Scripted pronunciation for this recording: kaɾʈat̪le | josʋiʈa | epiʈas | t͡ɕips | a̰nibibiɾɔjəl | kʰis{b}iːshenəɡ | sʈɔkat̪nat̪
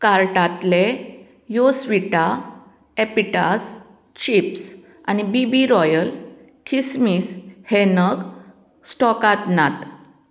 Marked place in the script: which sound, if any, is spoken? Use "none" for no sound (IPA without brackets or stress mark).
m